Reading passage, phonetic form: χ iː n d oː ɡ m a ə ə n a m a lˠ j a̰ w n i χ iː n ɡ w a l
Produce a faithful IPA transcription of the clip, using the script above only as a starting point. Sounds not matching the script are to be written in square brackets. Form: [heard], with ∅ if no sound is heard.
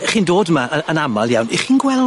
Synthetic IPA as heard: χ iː n d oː [d] m a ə ə n a m a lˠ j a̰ w n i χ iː n ɡ w [ɛ] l